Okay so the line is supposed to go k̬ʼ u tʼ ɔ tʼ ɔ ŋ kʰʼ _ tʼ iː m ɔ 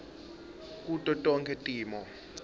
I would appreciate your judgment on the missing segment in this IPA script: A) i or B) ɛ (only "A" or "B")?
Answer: B